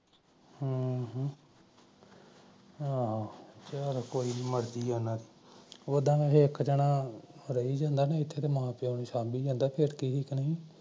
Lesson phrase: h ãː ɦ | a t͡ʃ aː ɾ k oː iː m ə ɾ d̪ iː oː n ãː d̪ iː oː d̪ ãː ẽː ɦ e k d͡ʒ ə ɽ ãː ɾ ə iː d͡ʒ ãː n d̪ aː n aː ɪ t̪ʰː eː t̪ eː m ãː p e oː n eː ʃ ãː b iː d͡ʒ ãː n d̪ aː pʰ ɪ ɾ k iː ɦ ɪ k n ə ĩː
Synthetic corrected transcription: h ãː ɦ | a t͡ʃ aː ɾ k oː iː m ə ɾ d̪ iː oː n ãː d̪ iː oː d̪ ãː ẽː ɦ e k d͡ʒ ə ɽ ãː ɾ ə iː d͡ʒ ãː n d̪ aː n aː ɪ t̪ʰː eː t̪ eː m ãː p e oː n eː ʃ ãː b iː d͡ʒ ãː n d̪ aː pʰ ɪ ɾ k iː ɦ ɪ k n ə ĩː